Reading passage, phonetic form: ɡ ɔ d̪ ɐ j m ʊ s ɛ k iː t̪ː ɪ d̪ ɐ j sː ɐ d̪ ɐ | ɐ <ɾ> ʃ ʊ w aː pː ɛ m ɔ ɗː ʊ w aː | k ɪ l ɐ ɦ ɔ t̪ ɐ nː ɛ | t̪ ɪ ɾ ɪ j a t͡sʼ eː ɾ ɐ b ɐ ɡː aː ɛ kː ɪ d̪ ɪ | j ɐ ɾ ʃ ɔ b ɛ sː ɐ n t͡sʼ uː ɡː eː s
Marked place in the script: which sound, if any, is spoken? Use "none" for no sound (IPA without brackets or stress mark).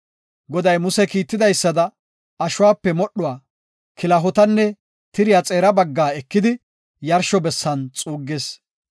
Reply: none